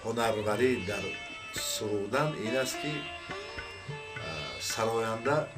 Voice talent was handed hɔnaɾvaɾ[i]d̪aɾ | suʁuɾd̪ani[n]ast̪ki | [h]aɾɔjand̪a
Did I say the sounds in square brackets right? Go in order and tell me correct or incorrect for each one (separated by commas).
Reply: correct, correct, incorrect